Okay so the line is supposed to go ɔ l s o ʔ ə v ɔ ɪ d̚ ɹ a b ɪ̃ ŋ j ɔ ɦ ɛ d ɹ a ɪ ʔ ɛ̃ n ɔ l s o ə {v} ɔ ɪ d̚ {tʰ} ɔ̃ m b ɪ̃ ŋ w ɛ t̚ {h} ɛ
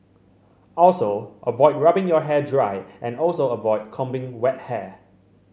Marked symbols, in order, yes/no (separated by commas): yes, no, yes